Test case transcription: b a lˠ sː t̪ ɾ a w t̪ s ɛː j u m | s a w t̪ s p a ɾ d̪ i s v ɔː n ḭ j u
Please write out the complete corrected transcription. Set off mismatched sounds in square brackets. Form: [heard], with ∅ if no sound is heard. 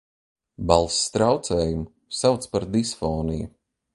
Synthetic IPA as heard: b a lˠ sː t̪ ɾ a w t̪ s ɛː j u m | s a w t̪ s p a ɾ d̪ i s [f] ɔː n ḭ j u